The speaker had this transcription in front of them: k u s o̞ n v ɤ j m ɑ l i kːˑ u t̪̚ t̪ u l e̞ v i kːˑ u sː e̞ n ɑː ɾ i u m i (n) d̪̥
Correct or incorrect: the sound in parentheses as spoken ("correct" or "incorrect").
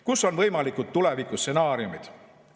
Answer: incorrect